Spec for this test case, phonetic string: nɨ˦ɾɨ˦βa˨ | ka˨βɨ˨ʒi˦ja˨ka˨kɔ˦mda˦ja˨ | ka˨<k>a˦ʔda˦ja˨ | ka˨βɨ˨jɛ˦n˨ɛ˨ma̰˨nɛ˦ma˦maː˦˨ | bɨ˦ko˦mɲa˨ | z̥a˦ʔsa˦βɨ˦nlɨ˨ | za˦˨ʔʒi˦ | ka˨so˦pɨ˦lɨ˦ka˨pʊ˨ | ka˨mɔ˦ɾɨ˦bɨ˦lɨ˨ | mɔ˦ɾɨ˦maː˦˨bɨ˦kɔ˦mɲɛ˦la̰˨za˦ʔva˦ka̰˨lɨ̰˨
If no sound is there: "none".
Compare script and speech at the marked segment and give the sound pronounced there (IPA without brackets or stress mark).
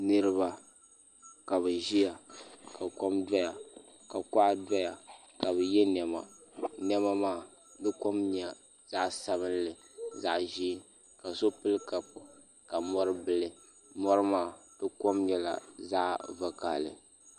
k